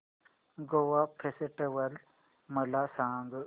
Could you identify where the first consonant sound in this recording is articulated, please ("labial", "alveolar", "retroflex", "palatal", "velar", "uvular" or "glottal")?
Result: velar